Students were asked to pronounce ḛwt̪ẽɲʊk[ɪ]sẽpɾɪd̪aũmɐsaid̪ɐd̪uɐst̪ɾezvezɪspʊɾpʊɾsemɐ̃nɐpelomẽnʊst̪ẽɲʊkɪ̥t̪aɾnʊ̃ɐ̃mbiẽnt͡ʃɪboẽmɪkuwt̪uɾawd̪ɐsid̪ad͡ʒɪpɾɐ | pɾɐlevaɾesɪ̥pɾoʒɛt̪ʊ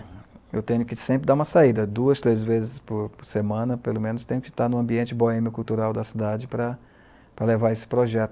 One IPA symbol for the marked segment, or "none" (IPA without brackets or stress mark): ɪ